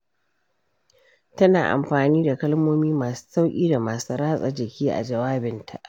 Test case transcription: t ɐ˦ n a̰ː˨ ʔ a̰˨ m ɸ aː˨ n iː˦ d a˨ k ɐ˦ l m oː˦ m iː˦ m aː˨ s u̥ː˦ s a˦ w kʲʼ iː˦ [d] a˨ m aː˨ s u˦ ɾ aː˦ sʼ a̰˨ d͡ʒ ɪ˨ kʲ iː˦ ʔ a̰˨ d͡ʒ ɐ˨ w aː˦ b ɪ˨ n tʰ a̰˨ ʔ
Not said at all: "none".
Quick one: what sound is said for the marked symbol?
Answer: d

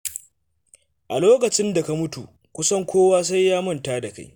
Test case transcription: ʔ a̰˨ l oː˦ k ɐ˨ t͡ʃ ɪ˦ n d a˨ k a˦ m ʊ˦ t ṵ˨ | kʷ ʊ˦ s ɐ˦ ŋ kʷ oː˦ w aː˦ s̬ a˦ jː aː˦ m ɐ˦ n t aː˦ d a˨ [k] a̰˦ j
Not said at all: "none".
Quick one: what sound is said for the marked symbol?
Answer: k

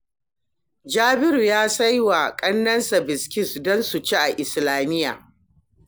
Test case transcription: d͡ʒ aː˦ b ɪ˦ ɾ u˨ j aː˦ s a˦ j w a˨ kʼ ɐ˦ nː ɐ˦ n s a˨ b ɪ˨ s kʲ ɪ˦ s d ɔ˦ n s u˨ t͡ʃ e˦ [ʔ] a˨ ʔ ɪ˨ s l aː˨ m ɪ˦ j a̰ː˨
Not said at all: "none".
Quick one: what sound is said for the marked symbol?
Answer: ʔ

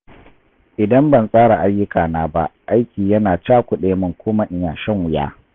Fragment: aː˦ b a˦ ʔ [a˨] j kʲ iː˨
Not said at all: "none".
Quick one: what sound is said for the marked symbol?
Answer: a˦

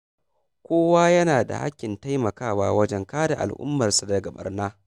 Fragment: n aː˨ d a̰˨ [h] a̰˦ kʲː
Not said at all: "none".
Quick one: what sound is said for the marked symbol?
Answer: h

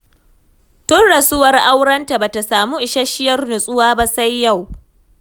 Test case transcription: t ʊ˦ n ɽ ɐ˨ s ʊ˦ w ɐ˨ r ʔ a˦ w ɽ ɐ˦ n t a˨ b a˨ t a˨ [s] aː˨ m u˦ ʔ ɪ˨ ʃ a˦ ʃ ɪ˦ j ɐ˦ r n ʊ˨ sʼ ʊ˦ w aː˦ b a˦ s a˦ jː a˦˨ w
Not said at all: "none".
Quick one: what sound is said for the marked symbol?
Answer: s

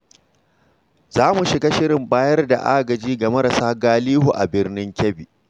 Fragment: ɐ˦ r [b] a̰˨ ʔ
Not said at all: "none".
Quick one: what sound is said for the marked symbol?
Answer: d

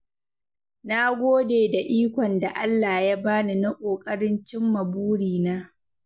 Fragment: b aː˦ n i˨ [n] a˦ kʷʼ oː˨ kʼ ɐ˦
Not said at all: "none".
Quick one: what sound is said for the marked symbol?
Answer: n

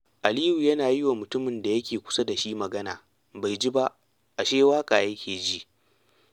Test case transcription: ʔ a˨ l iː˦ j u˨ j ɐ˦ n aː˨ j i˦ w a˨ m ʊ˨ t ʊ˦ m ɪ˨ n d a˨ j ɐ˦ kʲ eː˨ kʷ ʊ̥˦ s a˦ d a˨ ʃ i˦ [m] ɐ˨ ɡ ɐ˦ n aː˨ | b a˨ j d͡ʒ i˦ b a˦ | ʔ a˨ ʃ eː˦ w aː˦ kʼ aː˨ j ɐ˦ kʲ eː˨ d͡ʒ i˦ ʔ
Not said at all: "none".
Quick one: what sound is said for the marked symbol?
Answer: m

